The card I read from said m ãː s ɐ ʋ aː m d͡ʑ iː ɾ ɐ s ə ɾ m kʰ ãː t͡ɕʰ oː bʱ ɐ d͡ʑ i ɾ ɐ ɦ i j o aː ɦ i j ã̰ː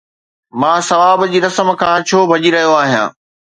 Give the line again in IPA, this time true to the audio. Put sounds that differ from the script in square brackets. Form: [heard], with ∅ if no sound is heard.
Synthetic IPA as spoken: m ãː s ɐ ʋ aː [b] d͡ʑ iː ɾ ɐ s ə [∅] m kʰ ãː t͡ɕʰ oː bʱ ɐ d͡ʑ i ɾ ɐ ɦ i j o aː ɦ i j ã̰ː